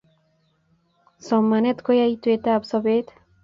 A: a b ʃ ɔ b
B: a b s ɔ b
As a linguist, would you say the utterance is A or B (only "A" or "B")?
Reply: B